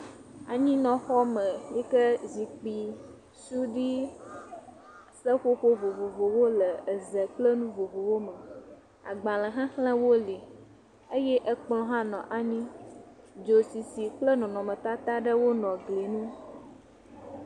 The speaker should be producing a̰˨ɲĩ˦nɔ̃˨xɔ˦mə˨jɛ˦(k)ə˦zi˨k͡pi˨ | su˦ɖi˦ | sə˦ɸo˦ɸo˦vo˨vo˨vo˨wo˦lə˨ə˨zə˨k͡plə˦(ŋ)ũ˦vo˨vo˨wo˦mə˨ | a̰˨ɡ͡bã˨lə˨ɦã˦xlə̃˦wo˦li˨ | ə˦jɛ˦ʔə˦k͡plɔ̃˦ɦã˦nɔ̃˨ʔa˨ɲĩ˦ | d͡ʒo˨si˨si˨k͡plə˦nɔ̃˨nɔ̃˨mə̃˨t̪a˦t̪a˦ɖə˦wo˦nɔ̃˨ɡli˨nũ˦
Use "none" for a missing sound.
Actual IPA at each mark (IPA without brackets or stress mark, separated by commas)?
k, n